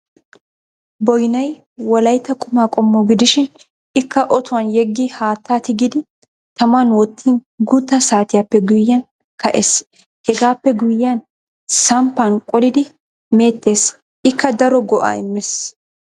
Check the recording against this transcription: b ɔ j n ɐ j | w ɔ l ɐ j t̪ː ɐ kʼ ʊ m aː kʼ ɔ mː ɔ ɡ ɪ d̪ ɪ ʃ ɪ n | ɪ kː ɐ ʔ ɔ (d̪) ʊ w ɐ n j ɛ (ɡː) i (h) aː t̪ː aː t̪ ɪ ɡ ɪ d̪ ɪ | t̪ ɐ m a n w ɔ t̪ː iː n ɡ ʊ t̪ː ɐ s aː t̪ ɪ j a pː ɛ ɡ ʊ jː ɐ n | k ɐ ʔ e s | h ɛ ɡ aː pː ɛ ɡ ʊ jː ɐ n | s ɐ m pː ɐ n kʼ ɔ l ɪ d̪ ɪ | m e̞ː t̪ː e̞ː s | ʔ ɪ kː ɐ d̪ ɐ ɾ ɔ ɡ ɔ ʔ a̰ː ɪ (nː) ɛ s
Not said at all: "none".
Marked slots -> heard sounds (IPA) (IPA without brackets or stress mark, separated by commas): t̪, ɡː, h, mː